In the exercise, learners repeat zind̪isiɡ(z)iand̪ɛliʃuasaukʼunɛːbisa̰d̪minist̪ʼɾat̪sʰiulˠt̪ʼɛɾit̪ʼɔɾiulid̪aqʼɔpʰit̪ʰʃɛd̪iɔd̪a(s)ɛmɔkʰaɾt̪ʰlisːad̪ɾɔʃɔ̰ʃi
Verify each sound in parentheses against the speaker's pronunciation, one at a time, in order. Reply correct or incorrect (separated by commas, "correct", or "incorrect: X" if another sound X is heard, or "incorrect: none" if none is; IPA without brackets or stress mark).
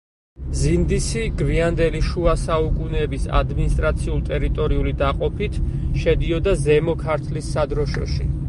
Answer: incorrect: v, incorrect: z